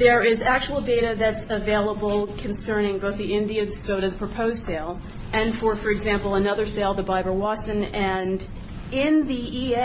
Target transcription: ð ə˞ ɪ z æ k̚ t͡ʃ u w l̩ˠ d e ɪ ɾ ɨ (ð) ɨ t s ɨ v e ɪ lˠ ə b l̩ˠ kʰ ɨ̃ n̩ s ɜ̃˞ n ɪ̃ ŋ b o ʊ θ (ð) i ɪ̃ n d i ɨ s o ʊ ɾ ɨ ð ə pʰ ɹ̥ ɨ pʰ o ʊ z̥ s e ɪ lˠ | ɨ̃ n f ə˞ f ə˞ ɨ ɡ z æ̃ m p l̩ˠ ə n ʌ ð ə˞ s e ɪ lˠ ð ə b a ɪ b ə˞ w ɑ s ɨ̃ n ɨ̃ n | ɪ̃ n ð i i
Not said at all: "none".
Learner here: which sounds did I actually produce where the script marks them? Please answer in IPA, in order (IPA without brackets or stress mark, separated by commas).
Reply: ð, ð